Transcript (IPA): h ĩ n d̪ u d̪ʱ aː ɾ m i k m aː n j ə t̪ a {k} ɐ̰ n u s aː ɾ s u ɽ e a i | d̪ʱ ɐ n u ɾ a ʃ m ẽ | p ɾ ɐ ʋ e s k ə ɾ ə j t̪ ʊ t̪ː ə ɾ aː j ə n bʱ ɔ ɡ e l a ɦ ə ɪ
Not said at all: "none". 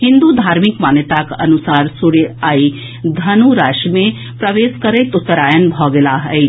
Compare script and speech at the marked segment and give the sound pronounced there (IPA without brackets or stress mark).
k